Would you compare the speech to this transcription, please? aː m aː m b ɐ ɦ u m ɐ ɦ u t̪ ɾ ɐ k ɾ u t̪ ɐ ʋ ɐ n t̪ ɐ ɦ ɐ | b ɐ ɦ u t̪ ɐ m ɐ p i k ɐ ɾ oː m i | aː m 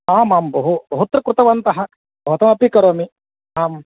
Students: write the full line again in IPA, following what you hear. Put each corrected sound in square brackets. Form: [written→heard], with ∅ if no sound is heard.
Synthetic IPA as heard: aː m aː m b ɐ ɦ u [m→b] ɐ ɦ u t̪ ɾ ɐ k ɾ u t̪ ɐ ʋ ɐ n t̪ ɐ ɦ ɐ | b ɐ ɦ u t̪ ɐ m ɐ p i k ɐ ɾ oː m i | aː m